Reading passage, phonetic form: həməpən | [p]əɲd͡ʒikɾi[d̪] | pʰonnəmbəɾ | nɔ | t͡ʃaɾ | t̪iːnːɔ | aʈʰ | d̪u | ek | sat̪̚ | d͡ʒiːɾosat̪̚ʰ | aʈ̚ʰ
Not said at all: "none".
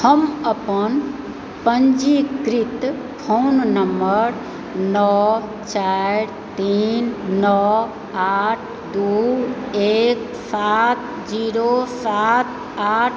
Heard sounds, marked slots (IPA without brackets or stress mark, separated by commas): p, t̪